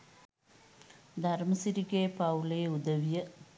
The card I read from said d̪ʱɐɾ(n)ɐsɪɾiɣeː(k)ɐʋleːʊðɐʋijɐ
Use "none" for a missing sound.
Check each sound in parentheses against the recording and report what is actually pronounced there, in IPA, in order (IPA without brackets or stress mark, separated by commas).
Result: m, p